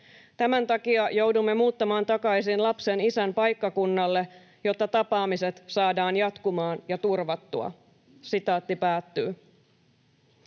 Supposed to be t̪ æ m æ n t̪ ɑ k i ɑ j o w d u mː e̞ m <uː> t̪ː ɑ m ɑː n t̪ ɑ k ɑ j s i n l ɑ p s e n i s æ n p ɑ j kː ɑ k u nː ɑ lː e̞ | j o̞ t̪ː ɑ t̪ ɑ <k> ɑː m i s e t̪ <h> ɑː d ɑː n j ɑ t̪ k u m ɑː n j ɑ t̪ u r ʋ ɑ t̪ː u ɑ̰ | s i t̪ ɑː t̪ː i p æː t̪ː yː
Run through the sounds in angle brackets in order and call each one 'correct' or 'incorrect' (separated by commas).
correct, incorrect, incorrect